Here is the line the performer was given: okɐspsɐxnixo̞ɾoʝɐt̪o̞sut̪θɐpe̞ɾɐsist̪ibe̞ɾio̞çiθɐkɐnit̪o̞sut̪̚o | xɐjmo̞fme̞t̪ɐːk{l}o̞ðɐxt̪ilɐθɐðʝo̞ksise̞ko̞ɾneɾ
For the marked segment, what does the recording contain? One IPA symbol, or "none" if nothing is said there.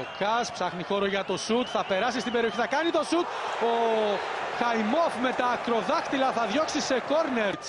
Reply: ɾ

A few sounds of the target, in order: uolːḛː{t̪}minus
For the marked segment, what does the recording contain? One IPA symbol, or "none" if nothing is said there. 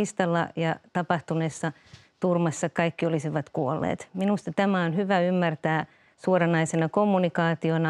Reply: t̪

